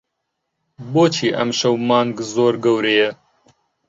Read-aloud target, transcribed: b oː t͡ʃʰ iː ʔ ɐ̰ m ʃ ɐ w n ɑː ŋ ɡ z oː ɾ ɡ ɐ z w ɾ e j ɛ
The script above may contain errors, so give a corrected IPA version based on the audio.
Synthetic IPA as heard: b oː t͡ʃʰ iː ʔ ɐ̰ m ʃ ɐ w m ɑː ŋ ɡ z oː ɾ ɡ ɐ w ɾ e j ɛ

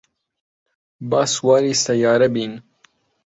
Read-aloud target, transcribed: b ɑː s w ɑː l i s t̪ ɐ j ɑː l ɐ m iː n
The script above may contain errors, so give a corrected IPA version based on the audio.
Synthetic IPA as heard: b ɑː s w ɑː ɾ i s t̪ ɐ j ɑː ɾ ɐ b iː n

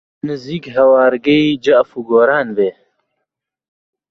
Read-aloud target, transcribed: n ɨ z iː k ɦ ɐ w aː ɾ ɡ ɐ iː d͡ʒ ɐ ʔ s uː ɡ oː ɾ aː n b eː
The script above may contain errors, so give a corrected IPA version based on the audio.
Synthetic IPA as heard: n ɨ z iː k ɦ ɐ w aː ɾ ɡ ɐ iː d͡ʒ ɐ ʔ f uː ɡ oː ɾ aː n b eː

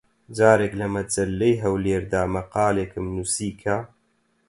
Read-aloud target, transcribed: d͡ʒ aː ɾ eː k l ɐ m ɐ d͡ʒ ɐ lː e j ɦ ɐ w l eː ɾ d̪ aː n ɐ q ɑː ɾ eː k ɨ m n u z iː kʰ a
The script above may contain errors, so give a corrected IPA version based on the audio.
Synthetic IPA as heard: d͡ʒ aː ɾ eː k l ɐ m ɐ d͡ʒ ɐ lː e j ɦ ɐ w l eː ɾ d̪ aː m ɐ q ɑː l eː k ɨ m n u s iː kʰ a

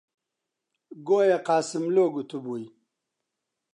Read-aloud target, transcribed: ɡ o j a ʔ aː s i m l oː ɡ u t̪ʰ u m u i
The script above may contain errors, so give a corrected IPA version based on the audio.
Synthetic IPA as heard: ɡ o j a q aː s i m l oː ɡ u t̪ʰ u b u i

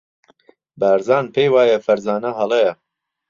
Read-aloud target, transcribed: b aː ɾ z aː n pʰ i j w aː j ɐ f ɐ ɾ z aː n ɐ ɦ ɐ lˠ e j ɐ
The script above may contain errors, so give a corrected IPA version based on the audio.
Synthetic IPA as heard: b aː ɾ z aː n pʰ e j w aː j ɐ f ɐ ɾ z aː n ɐ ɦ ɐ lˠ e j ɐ

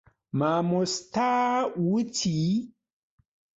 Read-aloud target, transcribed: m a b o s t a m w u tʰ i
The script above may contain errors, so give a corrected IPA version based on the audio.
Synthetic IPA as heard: m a m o s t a w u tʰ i

